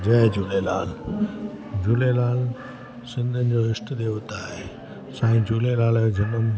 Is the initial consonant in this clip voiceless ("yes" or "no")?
no